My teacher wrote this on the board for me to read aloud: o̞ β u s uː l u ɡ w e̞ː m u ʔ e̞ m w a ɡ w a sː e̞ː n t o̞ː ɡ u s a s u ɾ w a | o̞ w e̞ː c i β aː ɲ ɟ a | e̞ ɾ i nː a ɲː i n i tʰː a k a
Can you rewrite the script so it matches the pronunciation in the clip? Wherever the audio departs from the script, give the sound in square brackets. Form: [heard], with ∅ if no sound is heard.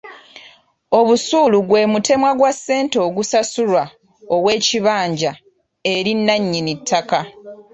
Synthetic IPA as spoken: o̞ β u s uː l u ɡ w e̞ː m u [t] e̞ m w a ɡ w a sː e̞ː n t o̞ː ɡ u s a s u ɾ w a | o̞ w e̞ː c i β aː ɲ ɟ a | e̞ ɾ i nː a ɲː i n i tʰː a k a